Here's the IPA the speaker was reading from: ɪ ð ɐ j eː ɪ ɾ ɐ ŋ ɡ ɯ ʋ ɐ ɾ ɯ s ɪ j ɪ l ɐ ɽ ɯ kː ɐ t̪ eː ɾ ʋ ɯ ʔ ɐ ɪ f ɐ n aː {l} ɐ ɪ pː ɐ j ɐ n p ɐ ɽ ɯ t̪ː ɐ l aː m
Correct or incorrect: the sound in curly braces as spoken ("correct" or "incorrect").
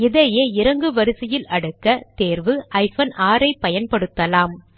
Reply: incorrect